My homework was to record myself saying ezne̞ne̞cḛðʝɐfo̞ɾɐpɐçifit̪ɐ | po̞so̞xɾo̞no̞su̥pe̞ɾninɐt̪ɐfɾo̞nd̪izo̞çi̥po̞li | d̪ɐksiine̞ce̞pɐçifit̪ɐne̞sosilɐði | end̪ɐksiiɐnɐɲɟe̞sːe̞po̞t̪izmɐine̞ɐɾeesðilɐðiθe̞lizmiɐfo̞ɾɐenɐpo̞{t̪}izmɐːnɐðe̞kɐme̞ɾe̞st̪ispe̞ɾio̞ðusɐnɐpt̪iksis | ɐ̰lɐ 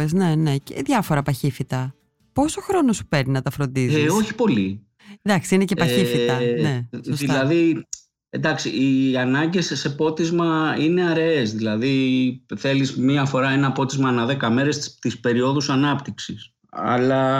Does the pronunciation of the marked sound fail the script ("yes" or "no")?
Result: no